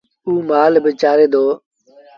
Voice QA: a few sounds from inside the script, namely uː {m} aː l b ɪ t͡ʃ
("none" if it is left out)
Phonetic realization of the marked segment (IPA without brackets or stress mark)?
m